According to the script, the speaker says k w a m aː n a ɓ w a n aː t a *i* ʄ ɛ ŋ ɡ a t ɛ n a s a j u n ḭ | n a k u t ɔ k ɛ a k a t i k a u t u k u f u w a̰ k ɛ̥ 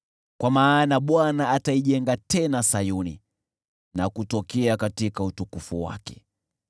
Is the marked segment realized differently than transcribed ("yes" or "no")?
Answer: no